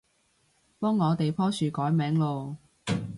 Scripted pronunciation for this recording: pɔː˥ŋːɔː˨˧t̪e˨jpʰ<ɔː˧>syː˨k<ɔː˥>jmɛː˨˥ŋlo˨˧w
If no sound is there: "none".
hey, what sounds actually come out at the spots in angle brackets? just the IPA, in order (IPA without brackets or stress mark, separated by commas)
ɔː˥, ɔː˨˥